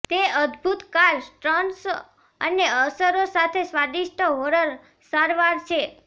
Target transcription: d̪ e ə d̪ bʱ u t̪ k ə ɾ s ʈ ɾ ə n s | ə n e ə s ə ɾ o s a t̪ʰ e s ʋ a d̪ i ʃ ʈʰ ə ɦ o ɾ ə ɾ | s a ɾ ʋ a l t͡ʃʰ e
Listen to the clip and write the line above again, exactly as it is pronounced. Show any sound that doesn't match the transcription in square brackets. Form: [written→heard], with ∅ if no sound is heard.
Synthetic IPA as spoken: [d̪→t̪] e ə d̪ bʱ u t̪ k [ə→a] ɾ s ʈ ɾ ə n s | ə n e ə s ə ɾ o s a t̪ʰ e s ʋ a d̪ i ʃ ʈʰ ə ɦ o ɾ ə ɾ | s a ɾ ʋ a [l→ɾ] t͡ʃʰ e